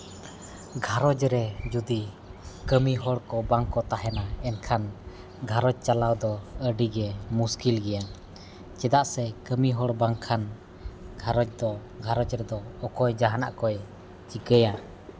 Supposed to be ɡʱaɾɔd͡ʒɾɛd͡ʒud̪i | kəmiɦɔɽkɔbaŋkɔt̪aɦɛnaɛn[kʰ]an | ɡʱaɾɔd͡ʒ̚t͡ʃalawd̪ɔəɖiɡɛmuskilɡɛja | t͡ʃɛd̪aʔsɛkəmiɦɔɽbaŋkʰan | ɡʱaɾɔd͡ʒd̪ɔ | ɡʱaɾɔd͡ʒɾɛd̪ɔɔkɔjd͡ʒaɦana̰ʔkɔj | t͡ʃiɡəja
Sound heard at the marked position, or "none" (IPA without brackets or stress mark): kʰ